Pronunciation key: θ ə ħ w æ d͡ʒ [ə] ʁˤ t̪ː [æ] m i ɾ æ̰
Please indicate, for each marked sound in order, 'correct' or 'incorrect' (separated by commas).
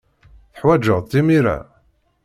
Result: correct, incorrect